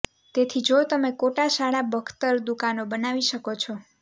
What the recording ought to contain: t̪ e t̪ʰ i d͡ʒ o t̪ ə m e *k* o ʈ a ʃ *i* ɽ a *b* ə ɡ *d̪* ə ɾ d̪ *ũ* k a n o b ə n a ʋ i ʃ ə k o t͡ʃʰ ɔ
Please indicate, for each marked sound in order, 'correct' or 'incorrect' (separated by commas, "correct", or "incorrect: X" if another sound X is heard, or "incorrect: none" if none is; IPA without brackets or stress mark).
correct, incorrect: a, correct, incorrect: t̪, incorrect: u